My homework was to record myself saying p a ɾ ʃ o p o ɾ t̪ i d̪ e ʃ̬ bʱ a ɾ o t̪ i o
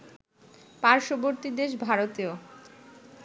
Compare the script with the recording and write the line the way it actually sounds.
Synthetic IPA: p a ɾ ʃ o b o ɾ t̪ i d̪ e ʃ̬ bʱ a ɾ o t̪ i o